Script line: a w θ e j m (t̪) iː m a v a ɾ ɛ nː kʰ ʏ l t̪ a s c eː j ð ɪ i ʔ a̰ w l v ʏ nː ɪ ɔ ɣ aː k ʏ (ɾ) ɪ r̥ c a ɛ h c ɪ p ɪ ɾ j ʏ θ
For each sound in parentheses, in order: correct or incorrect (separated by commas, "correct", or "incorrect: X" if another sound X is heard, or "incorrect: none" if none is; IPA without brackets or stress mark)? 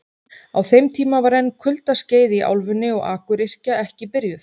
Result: incorrect: t̪ʰ, correct